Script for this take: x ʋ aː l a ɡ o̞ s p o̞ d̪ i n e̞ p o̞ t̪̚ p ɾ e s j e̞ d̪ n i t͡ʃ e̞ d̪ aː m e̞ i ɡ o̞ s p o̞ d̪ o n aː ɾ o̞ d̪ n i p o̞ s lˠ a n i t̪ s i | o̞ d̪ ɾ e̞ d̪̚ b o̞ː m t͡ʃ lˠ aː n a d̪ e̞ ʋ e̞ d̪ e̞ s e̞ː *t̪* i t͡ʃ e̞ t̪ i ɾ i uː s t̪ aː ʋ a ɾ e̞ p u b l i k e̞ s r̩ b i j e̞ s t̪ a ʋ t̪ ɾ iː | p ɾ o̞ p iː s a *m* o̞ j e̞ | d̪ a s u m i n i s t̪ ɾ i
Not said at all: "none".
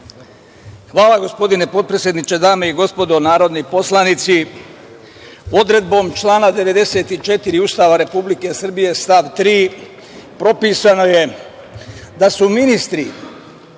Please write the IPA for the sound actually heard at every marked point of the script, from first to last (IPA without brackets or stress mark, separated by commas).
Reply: t̪, n